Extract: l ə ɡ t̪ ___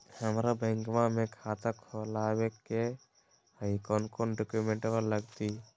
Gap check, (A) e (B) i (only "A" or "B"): B